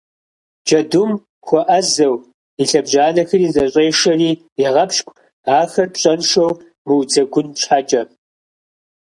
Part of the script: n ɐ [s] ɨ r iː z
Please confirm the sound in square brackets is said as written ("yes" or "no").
no